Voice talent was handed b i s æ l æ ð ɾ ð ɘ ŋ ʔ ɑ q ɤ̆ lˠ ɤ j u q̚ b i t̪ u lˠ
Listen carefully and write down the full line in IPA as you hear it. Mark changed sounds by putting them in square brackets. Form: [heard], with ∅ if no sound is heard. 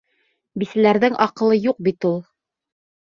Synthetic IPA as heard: b i s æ l æ [∅] ɾ ð ɘ ŋ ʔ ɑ q ɤ̆ lˠ ɤ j u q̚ b i t̪ u lˠ

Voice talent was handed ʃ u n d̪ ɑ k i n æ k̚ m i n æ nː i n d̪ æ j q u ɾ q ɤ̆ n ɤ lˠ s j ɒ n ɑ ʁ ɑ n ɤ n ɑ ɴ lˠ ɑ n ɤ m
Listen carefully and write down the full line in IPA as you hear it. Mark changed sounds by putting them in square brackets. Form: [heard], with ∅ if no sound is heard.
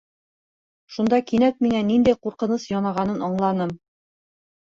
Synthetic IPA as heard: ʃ u n d̪ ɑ k i n æ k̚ m i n æ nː i n d̪ æ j q u ɾ q ɤ̆ n ɤ [∅] s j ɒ n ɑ ʁ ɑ n ɤ n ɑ ɴ lˠ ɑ n ɤ m

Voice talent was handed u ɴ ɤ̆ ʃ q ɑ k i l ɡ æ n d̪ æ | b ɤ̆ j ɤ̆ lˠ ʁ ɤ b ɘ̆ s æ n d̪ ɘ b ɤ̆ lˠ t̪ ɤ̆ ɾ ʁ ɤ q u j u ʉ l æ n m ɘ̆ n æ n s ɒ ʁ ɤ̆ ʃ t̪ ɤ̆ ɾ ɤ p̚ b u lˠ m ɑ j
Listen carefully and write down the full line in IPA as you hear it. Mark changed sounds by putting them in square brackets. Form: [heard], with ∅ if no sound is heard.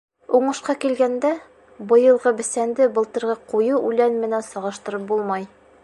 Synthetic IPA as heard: u ɴ ɤ̆ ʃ q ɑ k i l ɡ æ n d̪ æ | b ɤ̆ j ɤ̆ lˠ ʁ ɤ b ɘ̆ s æ n d̪ ɘ b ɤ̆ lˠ t̪ ɤ̆ ɾ ʁ ɤ q u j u ʉ l æ n m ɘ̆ n æ n s ɒ ʁ ɤ̆ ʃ t̪ ɤ̆ ɾ ɤ p̚ b u lˠ m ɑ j

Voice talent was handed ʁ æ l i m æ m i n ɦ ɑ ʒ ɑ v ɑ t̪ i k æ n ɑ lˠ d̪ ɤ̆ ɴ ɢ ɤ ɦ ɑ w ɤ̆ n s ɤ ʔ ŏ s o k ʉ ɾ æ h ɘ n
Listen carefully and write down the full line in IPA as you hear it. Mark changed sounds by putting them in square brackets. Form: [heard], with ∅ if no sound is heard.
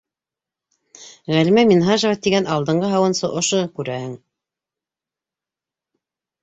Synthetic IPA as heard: ʁ æ l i m æ m i n ɦ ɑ ʒ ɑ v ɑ t̪ i [ɡ] æ n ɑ lˠ d̪ ɤ̆ ɴ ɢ ɤ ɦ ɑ w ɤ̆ n s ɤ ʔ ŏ [ʃ] o k ʉ ɾ æ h ɘ [ŋ]

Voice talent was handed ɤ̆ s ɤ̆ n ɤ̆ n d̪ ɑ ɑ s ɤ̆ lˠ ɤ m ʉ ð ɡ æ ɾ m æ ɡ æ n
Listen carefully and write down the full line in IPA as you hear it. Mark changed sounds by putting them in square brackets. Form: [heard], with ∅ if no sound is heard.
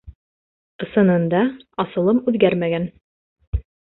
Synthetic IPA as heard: ɤ̆ s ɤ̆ n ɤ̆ n d̪ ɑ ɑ s ɤ̆ lˠ ɤ m ʉ ð ɡ æ ɾ m æ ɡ æ n

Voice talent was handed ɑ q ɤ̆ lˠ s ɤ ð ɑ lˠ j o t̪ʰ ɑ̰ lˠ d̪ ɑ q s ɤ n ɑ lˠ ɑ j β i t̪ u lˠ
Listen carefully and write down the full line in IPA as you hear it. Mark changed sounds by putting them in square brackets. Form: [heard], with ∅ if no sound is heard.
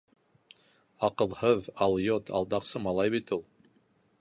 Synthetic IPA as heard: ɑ q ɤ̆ lˠ [h] ɤ ð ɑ lˠ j o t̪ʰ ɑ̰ lˠ d̪ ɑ q s ɤ [m] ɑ lˠ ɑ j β i t̪ u lˠ

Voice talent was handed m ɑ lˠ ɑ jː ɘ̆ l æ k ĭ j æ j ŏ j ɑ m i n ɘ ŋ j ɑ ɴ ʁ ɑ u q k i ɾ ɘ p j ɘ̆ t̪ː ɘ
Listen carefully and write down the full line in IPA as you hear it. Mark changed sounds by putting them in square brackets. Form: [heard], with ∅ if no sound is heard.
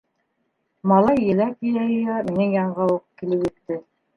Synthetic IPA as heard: m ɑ lˠ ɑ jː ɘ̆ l æ k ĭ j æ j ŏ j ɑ m i n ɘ ŋ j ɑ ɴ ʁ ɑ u q k i [l] ɘ p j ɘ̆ t̪ː ɘ

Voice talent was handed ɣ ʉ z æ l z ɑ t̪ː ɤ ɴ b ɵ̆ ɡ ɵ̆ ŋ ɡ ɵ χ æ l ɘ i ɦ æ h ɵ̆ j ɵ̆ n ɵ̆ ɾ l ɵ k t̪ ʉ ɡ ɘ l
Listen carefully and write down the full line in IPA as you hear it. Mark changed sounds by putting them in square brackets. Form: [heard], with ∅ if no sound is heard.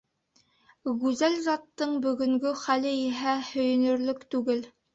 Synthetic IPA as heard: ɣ ʉ z æ l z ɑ t̪ː ɤ ɴ b ɵ̆ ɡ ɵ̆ ŋ ɡ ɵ χ æ l ɘ i ɦ æ h ɵ̆ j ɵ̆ n ɵ̆ ɾ l ɵ k t̪ ʉ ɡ ɘ l

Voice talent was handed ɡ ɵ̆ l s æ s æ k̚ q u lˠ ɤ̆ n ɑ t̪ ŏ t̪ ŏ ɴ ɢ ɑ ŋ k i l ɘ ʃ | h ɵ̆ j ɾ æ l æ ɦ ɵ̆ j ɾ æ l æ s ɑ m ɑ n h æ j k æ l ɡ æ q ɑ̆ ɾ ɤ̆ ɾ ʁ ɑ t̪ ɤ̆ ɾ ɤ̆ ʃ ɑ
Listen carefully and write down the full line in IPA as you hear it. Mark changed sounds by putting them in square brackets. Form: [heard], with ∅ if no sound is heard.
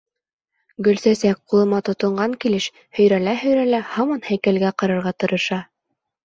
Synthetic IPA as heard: ɡ ɵ̆ l s æ s æ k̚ q u lˠ ɤ̆ [m] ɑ t̪ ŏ t̪ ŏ ɴ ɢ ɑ ŋ k i l ɘ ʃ | h ɵ̆ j ɾ æ l æ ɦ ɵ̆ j ɾ æ l æ [h] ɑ m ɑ n h æ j k æ l ɡ æ q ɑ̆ ɾ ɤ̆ ɾ ʁ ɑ t̪ ɤ̆ ɾ ɤ̆ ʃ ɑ

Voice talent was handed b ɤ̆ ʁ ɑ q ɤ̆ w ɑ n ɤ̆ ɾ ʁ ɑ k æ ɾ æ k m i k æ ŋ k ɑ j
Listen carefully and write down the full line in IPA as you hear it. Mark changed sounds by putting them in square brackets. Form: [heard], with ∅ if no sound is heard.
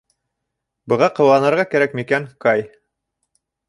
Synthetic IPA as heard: b ɤ̆ ʁ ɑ q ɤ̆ w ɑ n ɤ̆ ɾ ʁ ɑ k æ ɾ æ k m i k æ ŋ k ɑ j

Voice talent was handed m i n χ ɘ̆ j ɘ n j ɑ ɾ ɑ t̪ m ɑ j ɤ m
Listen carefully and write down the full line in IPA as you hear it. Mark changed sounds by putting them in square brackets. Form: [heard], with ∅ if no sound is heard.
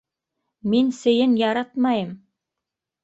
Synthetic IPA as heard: m i n [s] ɘ̆ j ɘ n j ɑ ɾ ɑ t̪ m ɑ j ɤ m

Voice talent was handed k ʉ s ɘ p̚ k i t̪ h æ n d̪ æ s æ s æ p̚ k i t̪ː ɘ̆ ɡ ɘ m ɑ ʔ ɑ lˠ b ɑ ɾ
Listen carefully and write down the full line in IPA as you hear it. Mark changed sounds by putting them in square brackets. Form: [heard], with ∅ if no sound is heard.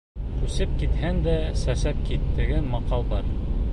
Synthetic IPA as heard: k ʉ s ɘ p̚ k i t̪ h æ n d̪ æ s æ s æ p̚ k i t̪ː ɘ̆ ɡ ɘ m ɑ [q] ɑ lˠ b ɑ ɾ

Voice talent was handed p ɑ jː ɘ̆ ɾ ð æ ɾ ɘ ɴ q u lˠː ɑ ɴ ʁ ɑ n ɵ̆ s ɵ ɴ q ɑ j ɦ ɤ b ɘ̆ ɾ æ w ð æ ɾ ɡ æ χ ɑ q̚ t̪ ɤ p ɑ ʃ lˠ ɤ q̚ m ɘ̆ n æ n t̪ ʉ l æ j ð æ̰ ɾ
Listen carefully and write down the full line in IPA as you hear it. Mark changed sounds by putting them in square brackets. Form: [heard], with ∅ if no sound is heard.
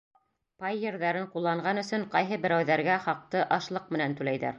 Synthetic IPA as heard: p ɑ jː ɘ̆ ɾ ð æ ɾ ɘ ɴ q u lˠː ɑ ɴ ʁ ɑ n ɵ̆ s ɵ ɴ q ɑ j ɦ ɤ b ɘ̆ ɾ æ w ð æ ɾ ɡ æ χ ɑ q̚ t̪ ɤ [ʔ] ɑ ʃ lˠ ɤ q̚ m ɘ̆ n æ n t̪ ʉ l æ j ð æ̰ ɾ

